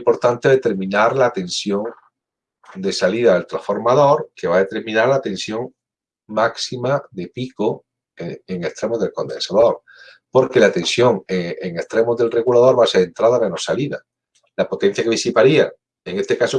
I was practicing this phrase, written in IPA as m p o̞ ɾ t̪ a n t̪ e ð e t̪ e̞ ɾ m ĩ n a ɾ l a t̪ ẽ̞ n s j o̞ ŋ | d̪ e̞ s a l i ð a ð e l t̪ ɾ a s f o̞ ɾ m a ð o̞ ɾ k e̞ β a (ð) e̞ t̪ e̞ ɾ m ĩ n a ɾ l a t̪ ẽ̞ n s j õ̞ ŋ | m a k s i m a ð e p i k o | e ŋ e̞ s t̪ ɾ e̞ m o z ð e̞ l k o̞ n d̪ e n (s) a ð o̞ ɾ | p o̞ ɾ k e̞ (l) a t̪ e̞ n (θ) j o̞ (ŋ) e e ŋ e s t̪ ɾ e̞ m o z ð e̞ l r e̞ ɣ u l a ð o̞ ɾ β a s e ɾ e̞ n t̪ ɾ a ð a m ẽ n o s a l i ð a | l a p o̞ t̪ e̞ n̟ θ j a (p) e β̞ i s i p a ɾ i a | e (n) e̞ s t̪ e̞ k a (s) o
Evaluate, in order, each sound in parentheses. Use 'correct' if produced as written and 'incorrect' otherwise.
correct, correct, correct, incorrect: s, correct, incorrect: k, incorrect: ŋ, correct

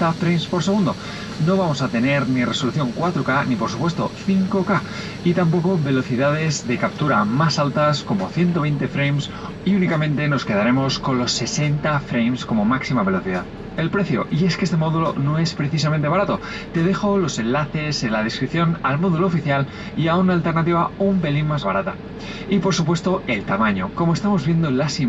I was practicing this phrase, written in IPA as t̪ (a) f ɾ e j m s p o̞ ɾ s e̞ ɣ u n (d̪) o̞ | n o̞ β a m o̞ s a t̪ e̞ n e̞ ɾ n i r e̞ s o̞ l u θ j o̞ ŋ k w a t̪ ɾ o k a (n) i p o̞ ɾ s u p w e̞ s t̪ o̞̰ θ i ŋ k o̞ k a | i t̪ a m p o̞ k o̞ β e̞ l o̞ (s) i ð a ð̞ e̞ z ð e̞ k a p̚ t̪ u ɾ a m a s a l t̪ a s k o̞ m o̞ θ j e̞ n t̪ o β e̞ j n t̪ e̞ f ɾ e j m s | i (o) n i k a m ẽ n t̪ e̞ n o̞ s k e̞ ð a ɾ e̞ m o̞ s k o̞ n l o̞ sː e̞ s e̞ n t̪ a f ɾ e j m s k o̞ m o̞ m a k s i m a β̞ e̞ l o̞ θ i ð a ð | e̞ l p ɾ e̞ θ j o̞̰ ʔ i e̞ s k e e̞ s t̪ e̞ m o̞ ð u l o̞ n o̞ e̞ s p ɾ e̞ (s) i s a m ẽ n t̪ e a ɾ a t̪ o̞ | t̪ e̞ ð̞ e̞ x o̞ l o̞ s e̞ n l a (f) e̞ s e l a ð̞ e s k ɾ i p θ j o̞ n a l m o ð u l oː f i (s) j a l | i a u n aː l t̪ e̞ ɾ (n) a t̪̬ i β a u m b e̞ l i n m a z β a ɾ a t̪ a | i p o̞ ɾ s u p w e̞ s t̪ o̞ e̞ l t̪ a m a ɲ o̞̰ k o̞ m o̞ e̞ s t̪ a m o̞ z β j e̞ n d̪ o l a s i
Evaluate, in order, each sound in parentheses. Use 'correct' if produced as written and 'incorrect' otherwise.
correct, correct, correct, incorrect: θ, incorrect: u, incorrect: θ, incorrect: θ, incorrect: θ, correct

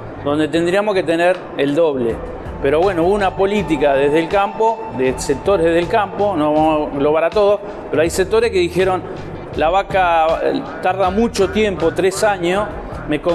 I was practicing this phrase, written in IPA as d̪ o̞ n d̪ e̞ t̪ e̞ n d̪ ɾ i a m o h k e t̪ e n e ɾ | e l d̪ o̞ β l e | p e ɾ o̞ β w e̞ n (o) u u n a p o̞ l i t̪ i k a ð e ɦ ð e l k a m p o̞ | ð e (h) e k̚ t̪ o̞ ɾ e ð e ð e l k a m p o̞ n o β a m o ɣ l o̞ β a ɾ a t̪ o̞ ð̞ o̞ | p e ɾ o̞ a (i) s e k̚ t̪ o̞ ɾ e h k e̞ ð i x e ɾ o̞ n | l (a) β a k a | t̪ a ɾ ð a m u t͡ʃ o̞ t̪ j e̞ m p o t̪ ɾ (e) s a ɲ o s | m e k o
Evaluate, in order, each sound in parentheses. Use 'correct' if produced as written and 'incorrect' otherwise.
correct, incorrect: s, incorrect: j, correct, correct

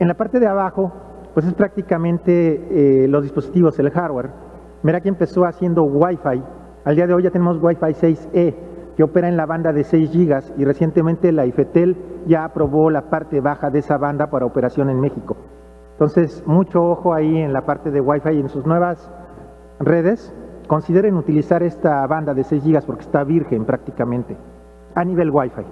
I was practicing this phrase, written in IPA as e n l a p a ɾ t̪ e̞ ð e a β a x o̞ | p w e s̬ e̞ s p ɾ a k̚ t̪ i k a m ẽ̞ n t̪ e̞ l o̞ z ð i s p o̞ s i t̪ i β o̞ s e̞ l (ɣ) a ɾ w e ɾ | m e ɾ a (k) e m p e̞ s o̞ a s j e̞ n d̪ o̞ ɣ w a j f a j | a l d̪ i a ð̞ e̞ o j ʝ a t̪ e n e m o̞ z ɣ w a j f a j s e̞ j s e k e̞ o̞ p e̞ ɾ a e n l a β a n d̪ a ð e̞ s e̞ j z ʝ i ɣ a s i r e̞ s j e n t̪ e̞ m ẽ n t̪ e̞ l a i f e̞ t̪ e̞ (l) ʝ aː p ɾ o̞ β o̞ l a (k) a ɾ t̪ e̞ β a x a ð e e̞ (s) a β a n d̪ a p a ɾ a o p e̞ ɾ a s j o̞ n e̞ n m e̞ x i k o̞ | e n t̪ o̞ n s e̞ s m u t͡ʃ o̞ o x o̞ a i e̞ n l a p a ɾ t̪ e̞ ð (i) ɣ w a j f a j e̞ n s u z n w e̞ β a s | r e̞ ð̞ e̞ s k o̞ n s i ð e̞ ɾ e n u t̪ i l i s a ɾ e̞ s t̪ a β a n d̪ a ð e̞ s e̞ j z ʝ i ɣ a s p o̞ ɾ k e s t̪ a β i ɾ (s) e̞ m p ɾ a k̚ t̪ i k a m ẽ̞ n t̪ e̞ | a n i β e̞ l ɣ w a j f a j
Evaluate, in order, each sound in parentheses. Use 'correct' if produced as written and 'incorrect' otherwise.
incorrect: x, correct, correct, incorrect: p, correct, incorrect: e, incorrect: x

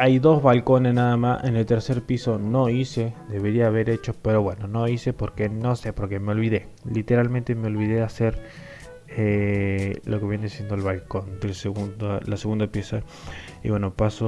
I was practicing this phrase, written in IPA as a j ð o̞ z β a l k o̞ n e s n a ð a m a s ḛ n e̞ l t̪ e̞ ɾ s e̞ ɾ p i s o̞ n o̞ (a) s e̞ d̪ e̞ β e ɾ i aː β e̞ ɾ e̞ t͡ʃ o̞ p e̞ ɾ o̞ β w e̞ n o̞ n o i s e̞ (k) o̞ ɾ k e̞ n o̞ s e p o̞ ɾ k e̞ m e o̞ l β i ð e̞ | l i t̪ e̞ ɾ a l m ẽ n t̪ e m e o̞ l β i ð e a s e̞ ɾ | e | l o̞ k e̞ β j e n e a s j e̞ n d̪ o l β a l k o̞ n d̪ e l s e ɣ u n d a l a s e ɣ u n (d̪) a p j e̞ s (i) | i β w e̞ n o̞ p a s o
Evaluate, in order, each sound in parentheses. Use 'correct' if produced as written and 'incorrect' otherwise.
incorrect: i, incorrect: p, correct, incorrect: a

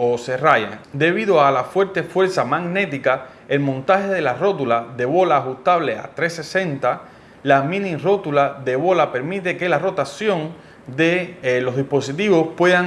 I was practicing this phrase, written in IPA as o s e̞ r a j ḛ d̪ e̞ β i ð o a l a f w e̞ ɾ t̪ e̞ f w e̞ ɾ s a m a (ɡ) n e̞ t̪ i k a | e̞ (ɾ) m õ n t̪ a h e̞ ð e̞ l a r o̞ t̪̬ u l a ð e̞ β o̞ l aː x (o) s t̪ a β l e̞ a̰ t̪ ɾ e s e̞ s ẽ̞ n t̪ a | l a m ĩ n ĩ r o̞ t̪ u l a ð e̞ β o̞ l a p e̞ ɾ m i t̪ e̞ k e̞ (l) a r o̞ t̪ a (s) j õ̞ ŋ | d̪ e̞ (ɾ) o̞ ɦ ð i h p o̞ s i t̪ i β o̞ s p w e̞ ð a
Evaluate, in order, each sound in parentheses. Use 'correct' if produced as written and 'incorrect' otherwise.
correct, incorrect: l, incorrect: u, correct, correct, incorrect: l

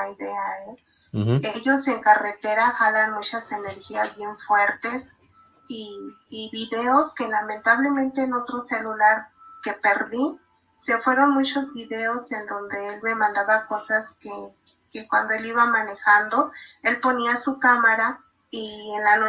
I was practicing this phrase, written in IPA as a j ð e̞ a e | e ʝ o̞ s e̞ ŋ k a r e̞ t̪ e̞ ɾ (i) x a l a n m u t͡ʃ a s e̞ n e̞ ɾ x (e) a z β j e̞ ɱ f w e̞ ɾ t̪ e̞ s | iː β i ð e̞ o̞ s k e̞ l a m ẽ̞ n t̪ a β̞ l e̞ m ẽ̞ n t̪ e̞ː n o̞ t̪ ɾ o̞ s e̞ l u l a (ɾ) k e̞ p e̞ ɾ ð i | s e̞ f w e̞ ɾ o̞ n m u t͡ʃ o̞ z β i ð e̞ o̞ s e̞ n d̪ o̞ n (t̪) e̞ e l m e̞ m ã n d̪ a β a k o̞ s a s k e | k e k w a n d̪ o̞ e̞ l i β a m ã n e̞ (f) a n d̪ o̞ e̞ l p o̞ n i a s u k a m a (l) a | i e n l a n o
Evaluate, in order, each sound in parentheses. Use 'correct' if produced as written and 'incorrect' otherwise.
incorrect: a, incorrect: i, correct, incorrect: d̪, incorrect: x, incorrect: ɾ

